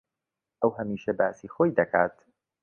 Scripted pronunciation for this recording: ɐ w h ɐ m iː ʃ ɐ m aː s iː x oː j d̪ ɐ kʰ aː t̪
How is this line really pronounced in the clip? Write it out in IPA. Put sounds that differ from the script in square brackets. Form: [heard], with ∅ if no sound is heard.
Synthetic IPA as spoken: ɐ w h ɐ m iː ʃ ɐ [b] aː s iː x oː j d̪ ɐ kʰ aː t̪